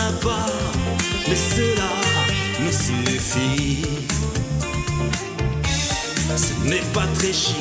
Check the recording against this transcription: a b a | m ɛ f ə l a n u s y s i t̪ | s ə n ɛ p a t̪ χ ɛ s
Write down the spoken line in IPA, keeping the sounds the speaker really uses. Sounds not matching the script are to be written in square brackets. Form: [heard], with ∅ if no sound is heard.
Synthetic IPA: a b a | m ɛ [s] ə l a n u s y [f] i [∅] | s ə n ɛ p a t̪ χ ɛ [ʃ]